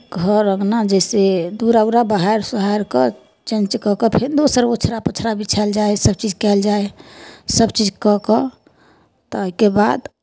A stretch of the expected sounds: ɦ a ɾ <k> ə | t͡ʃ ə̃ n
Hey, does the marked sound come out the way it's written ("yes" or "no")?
yes